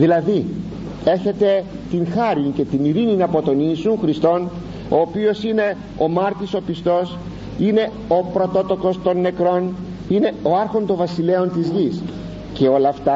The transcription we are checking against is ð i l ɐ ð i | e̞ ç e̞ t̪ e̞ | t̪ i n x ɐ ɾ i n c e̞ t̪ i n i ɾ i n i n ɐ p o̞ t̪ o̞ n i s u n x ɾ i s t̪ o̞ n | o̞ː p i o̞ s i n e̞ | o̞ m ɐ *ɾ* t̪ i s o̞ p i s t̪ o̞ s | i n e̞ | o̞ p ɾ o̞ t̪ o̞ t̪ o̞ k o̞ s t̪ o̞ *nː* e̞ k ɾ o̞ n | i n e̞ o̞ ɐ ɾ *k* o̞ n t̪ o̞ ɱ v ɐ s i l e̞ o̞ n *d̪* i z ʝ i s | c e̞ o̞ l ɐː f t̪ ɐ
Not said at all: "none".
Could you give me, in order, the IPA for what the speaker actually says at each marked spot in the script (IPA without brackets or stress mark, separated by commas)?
ɾ, nː, x, t̪